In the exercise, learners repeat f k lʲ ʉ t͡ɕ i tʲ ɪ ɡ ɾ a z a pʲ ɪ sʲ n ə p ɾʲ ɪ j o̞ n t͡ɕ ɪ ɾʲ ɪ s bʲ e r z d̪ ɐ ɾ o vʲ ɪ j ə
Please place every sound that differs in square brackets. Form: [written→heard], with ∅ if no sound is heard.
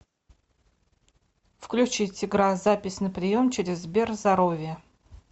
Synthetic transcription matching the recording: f k lʲ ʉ t͡ɕ i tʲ ɪ ɡ ɾ a z a pʲ ɪ sʲ n ə p ɾʲ ɪ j o̞ [n→m] t͡ɕ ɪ ɾʲ ɪ [s→z] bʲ e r z d̪ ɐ ɾ o vʲ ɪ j ə